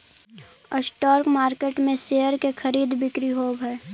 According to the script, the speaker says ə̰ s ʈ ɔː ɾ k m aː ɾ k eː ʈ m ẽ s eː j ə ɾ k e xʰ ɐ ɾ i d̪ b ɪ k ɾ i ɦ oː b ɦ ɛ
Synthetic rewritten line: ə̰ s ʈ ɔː ɾ k m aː ɾ k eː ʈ m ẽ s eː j ə ɾ k e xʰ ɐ ɾ iː d̪ b ɪ k ɾ i ɦ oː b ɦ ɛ